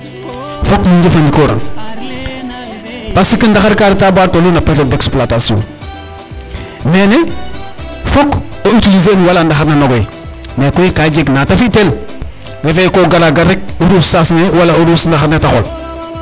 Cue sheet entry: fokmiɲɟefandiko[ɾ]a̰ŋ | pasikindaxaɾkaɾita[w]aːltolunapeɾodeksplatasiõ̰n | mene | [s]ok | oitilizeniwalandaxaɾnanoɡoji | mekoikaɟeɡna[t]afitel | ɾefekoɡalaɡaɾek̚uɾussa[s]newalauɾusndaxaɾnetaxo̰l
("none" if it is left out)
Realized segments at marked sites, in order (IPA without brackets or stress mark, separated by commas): ɾ, b, f, t, s